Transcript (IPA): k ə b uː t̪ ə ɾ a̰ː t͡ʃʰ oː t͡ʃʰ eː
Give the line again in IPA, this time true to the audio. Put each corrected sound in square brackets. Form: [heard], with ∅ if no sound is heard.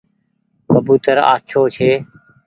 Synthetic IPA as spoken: k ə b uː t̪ ə ɾ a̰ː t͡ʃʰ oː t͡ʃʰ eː

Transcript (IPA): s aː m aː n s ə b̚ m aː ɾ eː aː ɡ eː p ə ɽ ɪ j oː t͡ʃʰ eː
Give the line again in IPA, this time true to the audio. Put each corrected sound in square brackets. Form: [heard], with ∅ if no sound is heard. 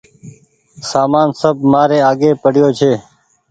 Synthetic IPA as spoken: s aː m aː n s ə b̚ m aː ɾ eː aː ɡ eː p ə ɽ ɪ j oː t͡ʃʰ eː

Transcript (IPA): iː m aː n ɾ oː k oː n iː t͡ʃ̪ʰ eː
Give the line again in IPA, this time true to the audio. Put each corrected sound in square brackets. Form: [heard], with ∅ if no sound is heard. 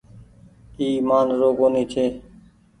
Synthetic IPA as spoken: iː m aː n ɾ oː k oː n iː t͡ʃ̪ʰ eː

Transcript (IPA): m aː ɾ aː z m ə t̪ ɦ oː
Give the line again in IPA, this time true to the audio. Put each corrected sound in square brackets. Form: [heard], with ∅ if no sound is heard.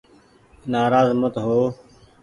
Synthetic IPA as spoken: [n] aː ɾ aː z m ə t̪ ɦ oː

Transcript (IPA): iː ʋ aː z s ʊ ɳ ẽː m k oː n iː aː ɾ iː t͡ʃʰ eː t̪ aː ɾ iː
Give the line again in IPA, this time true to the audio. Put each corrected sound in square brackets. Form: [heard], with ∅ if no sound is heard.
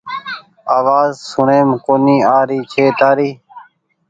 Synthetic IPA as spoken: [aː] ʋ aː z s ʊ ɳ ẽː m k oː n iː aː ɾ iː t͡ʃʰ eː t̪ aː ɾ iː

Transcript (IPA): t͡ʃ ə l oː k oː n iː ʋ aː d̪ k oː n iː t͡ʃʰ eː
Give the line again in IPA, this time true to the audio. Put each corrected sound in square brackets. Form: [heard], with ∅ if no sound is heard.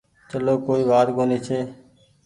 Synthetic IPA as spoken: t͡ʃ ə l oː k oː [∅] iː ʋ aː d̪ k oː n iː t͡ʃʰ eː

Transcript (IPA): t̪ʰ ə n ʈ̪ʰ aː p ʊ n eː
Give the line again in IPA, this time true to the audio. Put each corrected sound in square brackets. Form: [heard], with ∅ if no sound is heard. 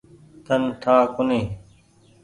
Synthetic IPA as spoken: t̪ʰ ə n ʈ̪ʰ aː [k] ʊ n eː

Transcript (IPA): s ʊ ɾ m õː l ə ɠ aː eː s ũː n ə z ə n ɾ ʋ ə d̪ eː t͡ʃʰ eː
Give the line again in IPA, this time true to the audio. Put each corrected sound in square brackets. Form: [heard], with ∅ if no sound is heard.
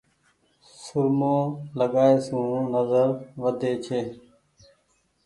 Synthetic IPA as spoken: s ʊ ɾ m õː l ə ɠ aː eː s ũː n ə z ə [∅] ɾ ʋ ə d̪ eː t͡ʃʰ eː

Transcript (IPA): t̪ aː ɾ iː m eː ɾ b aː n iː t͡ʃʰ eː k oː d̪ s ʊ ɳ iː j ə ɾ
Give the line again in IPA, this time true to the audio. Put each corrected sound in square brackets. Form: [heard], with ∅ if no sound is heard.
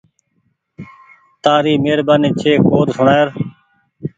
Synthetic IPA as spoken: t̪ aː ɾ iː m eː ɾ b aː n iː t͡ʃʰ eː k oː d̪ s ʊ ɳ [aː] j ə ɾ

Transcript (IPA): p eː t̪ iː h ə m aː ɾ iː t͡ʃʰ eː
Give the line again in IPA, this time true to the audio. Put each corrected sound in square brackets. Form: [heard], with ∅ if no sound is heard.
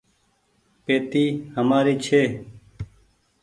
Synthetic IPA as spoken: p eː t̪ iː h ə m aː ɾ iː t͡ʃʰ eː

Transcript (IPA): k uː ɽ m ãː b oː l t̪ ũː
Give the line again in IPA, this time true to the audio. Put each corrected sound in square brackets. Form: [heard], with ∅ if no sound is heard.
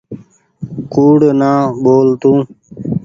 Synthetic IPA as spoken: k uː ɽ [n] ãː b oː l t̪ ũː

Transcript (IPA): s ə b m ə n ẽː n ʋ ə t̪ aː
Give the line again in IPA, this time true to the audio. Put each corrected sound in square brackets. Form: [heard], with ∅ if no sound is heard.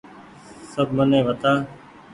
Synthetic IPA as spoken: s ə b m ə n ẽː [∅] ʋ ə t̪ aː

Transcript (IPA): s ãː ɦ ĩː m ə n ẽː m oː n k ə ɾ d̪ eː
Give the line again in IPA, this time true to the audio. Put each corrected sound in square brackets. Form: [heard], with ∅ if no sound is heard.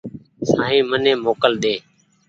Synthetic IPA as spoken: s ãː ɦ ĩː m ə n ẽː m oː [∅] k ə [l] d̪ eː

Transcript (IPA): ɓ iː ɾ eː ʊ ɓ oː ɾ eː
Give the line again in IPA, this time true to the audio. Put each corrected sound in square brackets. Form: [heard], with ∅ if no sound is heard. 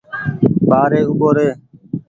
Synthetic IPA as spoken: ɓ [aː] ɾ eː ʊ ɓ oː ɾ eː

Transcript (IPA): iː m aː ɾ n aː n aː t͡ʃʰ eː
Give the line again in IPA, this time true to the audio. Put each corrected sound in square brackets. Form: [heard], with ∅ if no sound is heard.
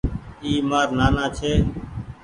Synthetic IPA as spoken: iː m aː ɾ n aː n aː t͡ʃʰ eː

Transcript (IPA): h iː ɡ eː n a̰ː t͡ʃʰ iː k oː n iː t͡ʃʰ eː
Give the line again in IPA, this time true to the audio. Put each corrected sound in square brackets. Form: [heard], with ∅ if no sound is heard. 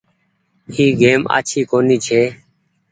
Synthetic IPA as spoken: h iː ɡ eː [m] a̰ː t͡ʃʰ iː k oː n iː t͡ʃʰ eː

